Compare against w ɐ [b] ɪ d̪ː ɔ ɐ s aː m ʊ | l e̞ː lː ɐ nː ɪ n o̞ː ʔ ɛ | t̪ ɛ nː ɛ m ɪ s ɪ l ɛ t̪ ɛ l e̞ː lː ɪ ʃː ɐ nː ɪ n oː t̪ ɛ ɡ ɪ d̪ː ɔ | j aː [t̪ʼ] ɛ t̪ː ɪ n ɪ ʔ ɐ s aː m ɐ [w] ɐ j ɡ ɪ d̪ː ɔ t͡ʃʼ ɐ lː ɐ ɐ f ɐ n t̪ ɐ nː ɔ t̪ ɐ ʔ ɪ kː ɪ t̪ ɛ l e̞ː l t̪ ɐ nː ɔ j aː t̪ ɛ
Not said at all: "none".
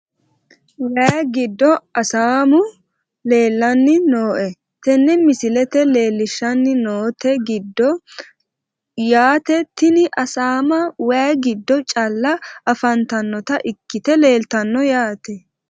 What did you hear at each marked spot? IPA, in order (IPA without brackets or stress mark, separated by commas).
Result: ɡ, t̪, w